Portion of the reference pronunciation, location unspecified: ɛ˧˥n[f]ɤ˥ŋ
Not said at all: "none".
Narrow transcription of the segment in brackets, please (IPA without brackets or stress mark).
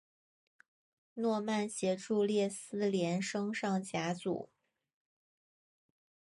ʂ